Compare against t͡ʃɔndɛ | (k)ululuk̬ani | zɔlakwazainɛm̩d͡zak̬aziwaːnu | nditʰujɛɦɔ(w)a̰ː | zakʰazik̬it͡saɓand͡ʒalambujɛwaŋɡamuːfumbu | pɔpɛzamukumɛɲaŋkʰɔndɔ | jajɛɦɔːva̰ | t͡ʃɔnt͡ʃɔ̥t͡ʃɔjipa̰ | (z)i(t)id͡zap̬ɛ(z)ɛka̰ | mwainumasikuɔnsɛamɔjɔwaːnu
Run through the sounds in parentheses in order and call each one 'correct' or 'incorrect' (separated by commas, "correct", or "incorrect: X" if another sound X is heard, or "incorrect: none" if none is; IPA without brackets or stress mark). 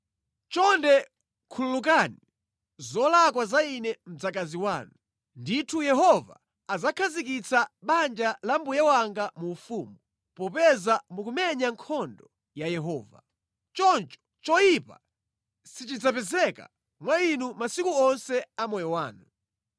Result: incorrect: kʰ, incorrect: v, incorrect: s, incorrect: t͡ʃ, correct